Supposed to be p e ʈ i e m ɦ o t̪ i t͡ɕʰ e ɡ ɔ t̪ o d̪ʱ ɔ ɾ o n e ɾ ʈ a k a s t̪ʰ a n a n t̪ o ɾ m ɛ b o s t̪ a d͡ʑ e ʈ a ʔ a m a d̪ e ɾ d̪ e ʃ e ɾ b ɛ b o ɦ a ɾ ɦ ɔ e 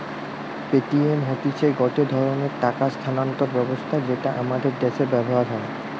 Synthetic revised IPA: p e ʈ i e m ɦ o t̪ i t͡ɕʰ e ɡ ɔ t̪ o d̪ʱ ɔ ɾ o n e ɾ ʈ a k a s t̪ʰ a n a n t̪ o ɾ b ɛ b o s t̪ʰ a d͡ʑ e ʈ a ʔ a m a d̪ e ɾ d̪ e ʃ e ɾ b ɛ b o ɦ a ɾ ɦ ɔ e